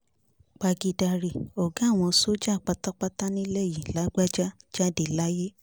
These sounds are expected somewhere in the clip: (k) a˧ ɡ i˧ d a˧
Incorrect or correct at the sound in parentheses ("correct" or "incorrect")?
incorrect